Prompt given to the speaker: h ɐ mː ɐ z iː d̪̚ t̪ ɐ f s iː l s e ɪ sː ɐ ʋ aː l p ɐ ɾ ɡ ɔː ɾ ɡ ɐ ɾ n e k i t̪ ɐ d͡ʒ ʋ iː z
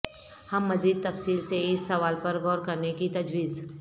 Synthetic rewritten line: h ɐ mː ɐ z iː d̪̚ t̪ ɐ f s iː l s e ɪ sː ɐ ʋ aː l p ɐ ɾ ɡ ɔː ɾ k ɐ ɾ n e k i t̪ ɐ d͡ʒ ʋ iː z